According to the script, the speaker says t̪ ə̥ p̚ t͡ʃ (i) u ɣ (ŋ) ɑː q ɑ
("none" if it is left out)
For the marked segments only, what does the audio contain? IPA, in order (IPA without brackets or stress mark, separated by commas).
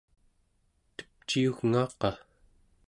i, ŋ